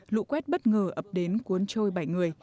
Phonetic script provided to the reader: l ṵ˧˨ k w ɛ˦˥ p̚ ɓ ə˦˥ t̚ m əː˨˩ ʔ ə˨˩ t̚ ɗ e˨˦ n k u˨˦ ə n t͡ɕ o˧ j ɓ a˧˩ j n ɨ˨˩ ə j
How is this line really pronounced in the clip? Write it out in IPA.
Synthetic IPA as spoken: l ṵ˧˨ k w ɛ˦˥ t̚ ɓ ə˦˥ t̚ ŋ əː˨˩ ʔ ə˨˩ p̚ ɗ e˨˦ n k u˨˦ ə n t͡ɕ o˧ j ɓ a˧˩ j ŋ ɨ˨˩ ə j

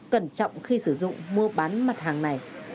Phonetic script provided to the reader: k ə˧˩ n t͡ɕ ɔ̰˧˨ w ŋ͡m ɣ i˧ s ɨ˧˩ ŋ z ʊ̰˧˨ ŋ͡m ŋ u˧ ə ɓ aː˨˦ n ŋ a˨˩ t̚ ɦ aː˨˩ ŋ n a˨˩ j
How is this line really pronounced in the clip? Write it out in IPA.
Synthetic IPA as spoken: k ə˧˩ n t͡ɕ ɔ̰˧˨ w ŋ͡m x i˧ s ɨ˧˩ z ʊ̰˧˨ ŋ͡m m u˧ ə ɓ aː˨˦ n m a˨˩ t̚ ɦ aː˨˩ ŋ n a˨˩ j

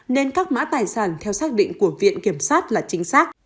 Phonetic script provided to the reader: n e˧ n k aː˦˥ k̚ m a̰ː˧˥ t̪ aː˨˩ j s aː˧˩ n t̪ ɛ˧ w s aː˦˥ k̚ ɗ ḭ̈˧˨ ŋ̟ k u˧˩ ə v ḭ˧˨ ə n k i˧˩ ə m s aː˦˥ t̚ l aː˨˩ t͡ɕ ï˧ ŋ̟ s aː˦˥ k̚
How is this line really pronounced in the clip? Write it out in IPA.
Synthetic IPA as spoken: n e˧ n k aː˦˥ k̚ m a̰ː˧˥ t̪ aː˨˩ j s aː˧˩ n t̪ʰ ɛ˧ w s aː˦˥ k̚ ɗ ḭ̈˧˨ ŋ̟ k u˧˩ ə v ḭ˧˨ ə n k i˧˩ ə m s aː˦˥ t̚ l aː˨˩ t͡ɕ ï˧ ŋ̟ s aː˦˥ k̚

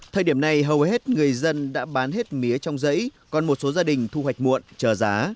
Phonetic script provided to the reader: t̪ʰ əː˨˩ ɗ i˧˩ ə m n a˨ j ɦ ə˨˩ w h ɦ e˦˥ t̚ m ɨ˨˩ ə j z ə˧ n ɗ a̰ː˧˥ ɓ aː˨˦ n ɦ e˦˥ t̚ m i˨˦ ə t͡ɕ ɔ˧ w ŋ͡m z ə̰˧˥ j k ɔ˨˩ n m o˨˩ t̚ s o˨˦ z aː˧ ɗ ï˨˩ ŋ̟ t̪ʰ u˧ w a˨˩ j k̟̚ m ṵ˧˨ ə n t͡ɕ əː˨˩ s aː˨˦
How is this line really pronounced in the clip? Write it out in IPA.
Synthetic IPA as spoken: t̪ʰ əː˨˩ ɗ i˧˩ ə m n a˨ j ɦ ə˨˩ w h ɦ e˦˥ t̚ ŋ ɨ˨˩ ə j z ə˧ n ɗ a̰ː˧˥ ɓ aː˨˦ n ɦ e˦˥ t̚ m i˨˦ ə t͡ɕ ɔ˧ w ŋ͡m z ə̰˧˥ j k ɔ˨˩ n m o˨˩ t̚ s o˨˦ z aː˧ ɗ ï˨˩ ŋ̟ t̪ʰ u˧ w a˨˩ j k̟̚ m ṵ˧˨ ə n t͡ɕ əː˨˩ z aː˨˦

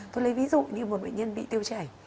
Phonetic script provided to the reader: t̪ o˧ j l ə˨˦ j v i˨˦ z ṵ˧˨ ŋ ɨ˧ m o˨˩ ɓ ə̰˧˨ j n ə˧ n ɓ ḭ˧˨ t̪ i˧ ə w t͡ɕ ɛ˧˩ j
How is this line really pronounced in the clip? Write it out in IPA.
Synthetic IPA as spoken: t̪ o˧ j l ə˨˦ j v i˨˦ z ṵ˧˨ ɲ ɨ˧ m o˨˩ ɓ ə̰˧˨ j ɲ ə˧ n ɓ ḭ˧˨ t̪ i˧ ə w t͡ɕ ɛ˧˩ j

